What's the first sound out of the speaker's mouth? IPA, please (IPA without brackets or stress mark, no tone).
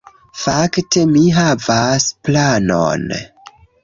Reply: f